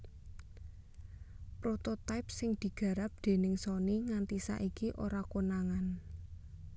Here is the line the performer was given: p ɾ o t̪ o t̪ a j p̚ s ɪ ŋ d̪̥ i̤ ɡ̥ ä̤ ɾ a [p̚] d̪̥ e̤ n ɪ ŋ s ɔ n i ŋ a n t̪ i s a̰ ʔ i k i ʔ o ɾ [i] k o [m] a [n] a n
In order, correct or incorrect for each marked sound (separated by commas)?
correct, incorrect, incorrect, incorrect